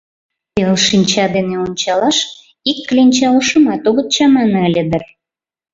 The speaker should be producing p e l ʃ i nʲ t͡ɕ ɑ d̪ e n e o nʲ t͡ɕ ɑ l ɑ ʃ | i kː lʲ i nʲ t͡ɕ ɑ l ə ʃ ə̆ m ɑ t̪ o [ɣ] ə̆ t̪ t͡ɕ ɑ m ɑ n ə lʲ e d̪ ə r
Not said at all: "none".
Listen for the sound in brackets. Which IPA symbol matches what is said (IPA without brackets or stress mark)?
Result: ɣ